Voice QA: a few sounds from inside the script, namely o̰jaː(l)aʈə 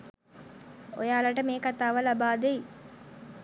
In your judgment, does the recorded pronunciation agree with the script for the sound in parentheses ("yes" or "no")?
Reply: yes